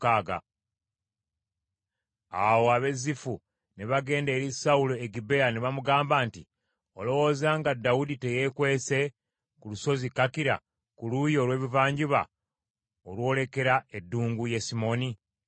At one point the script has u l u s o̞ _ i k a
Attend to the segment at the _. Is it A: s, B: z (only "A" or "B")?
B